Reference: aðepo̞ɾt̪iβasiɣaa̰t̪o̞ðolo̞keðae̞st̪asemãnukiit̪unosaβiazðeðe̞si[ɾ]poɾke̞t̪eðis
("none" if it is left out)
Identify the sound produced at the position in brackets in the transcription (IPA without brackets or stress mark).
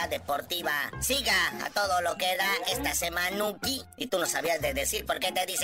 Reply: ɾ